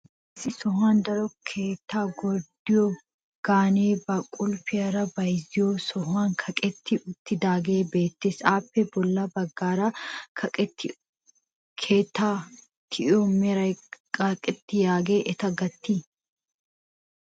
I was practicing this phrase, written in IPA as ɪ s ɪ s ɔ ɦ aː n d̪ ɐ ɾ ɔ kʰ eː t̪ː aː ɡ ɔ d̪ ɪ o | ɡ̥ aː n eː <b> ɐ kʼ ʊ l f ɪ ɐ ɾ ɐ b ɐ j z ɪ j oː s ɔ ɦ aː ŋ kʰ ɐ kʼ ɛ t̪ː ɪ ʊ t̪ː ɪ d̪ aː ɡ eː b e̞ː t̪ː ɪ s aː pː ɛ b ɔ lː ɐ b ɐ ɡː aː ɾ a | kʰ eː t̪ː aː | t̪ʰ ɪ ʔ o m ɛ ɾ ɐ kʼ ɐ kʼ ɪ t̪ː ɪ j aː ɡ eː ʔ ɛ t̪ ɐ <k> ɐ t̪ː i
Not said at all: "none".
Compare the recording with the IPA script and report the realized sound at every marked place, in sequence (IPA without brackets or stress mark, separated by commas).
b, ɡ